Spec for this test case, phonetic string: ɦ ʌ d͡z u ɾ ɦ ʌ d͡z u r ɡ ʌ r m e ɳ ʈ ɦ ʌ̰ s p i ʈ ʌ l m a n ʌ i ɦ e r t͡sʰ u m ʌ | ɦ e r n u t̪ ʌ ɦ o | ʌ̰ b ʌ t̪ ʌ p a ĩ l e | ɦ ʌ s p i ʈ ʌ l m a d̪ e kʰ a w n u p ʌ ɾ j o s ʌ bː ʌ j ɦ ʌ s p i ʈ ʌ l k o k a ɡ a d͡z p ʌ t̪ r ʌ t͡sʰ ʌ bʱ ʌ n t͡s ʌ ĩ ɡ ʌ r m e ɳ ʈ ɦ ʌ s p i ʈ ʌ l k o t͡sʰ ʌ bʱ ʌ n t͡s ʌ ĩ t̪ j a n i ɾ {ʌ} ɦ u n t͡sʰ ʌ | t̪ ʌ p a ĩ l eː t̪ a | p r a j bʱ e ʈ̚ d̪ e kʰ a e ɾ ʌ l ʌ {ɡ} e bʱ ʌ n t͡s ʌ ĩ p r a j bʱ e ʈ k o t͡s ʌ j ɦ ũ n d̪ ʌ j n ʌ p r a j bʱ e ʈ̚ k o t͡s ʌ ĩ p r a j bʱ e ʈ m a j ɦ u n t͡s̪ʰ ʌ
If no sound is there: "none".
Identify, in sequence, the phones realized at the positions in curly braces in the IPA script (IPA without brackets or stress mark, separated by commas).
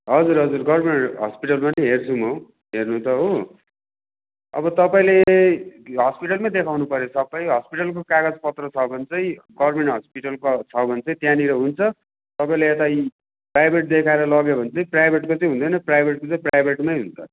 ʌ, ɡ